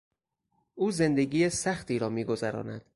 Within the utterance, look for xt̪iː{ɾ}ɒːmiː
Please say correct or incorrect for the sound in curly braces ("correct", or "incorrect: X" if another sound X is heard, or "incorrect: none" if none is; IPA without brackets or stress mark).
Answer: correct